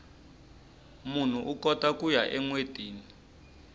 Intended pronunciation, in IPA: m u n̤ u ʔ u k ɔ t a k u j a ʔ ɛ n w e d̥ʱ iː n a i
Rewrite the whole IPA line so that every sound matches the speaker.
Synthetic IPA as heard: m u n̤ u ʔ u k ɔ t a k u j a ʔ ɛ ŋ w e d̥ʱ iː n i i

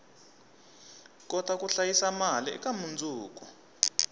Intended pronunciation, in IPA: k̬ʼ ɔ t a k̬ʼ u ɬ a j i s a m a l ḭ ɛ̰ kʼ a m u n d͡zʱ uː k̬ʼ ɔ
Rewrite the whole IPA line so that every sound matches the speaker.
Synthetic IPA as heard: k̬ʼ ɔ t a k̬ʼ u ɬ a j i s a m a l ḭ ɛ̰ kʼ a m u n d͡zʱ uː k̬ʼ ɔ

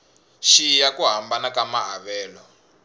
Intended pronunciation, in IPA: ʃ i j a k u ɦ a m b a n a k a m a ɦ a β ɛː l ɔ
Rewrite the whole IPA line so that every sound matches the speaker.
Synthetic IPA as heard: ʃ i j a k u ɦ a m b a n a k a m a ɦ a β ɛː l ɔ

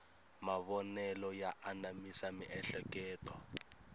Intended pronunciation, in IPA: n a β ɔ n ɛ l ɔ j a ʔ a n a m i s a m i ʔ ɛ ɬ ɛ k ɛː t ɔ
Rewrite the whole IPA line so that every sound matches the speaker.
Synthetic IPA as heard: m a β ɔ n ɛ l ɔ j a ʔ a n a m i s a m i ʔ ɛ ɬ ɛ k ɛː t ɔ

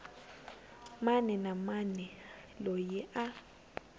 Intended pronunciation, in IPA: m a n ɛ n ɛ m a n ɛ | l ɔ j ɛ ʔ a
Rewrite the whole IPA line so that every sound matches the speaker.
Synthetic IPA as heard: m a n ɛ n a m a n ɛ | l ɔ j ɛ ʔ a

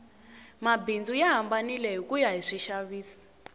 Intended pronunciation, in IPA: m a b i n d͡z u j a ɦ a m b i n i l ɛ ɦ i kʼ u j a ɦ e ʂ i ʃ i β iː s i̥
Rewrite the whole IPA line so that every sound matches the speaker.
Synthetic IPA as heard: m a b i n d͡z u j a ɦ a m b a n i l ɛ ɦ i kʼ u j a ɦ i ʂ i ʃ a β iː s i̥

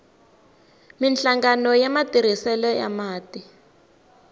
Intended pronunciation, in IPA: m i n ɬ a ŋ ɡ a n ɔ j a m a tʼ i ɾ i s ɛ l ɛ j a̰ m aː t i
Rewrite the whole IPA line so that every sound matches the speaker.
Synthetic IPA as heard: m i n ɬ a ŋ ɡ a n ɔ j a m a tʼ i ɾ i s ɛ l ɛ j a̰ m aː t i

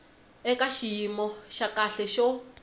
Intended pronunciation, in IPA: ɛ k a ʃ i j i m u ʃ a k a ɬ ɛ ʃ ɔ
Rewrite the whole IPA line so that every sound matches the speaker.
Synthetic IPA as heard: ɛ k a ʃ i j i m ɔ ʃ a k a ɬ ɛ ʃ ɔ

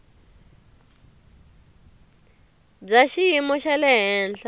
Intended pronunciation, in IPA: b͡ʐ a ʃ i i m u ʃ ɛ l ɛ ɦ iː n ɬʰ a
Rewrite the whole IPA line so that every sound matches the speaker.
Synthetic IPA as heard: b͡ʐ a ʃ i i m ɔ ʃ a l ɛ ɦ ɛː n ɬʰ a

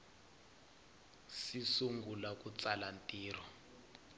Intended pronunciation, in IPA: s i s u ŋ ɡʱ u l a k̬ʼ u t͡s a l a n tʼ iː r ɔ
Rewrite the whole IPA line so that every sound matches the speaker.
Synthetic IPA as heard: s i s u ŋ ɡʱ u l a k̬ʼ u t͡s a l a n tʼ iː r ɔ

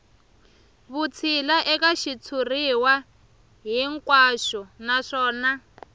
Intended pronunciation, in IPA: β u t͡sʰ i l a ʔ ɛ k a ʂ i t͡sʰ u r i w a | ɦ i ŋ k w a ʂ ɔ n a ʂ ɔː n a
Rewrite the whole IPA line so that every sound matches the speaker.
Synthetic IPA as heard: β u t͡sʰ i l a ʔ ɛ k a ʃ i t͡sʰ u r i w a | ɦ i ŋ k w a ʃ ɔ n a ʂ ɔː n a

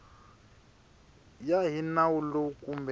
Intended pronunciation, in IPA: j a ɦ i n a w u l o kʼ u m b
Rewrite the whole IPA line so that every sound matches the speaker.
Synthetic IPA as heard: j a ɦ i n a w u l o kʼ u m b

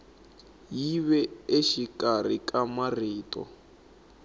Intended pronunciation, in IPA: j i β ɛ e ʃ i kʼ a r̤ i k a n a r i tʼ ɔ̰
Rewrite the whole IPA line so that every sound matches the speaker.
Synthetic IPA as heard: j i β ɛ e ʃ i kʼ a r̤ i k a m a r iː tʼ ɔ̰

